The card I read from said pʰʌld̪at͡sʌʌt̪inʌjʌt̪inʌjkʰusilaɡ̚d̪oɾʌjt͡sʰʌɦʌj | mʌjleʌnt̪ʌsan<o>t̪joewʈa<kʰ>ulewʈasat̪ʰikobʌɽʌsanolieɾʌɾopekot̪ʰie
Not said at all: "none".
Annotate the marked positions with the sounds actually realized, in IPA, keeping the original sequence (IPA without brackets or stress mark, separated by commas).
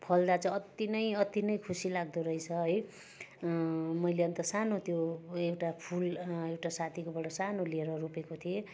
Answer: o, pʰ